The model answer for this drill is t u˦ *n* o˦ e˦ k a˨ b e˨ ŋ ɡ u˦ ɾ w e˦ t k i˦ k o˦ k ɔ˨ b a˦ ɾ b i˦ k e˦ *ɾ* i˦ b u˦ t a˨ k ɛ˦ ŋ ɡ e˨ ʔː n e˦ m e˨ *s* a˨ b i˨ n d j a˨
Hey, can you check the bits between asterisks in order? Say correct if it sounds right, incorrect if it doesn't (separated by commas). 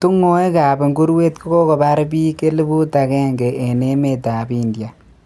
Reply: incorrect, incorrect, incorrect